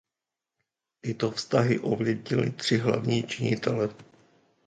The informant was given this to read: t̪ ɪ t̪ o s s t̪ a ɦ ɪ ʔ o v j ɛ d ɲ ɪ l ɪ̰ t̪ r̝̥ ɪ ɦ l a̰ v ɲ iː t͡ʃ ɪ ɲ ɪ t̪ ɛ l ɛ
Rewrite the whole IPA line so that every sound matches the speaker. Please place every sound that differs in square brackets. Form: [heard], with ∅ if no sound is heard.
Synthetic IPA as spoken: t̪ ɪ t̪ o [f] s t̪ a ɦ ɪ ʔ o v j ɛ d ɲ ɪ l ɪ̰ t̪ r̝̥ ɪ ɦ l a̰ v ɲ iː t͡ʃ ɪ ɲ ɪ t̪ ɛ l ɛ